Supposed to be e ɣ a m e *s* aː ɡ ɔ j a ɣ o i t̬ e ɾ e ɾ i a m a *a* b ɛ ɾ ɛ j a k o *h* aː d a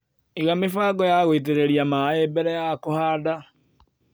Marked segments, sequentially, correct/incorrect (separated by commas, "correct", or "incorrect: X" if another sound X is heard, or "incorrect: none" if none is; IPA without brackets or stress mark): incorrect: f, incorrect: e, correct